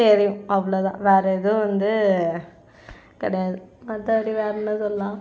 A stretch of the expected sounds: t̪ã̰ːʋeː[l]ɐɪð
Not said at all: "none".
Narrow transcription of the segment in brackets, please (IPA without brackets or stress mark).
ɾ